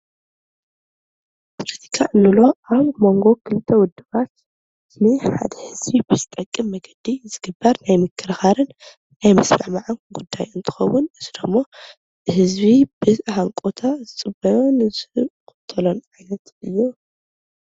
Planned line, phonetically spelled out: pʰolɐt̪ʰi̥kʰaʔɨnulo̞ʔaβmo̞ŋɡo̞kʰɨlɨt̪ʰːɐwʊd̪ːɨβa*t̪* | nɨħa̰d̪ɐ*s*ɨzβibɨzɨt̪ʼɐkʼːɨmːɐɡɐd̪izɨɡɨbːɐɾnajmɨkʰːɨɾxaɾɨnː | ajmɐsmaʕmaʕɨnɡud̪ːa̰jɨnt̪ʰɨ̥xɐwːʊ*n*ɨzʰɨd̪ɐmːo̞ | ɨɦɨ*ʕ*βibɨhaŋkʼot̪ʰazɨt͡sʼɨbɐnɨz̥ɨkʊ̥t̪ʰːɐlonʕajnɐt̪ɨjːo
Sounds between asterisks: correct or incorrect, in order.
correct, incorrect: h, correct, incorrect: z

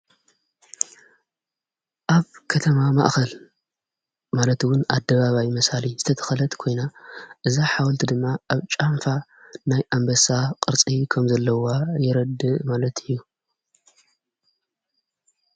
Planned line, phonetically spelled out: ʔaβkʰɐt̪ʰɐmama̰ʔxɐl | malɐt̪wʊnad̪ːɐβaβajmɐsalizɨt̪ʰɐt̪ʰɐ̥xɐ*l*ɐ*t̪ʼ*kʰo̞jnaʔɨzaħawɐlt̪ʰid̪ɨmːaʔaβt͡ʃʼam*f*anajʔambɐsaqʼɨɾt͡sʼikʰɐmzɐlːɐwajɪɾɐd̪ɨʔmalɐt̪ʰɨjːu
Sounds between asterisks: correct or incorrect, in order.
correct, incorrect: t̪, correct

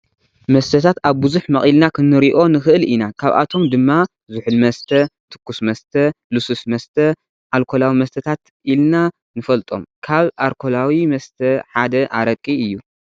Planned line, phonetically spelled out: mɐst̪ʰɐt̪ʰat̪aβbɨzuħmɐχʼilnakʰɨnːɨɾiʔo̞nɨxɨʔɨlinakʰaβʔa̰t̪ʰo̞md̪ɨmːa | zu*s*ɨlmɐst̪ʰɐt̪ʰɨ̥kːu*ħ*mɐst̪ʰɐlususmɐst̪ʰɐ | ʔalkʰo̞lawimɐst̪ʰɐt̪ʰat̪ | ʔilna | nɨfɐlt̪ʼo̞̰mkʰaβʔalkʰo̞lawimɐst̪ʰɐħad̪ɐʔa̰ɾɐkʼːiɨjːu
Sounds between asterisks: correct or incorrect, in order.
incorrect: ħ, incorrect: s

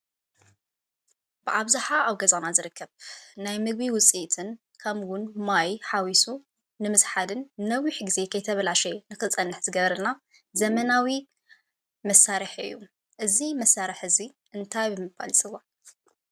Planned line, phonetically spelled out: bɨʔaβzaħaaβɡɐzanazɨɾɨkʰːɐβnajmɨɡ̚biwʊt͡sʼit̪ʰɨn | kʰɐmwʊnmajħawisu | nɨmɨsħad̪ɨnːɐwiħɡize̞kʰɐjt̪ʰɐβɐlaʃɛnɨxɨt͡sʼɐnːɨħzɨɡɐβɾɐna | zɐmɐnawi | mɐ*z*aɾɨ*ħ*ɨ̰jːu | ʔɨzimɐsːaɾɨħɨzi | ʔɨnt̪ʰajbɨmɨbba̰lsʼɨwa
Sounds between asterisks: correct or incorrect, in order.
incorrect: s, correct

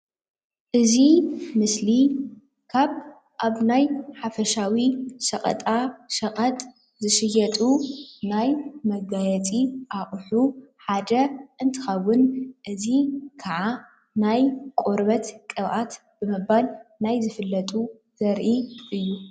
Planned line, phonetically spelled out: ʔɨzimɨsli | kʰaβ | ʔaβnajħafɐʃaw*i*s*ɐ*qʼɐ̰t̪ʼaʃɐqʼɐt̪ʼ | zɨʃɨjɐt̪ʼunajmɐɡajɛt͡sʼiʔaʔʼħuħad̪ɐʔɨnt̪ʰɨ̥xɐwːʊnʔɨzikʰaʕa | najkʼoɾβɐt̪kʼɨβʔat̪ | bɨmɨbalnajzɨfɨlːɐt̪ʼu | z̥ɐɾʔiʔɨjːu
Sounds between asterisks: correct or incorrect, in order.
correct, correct

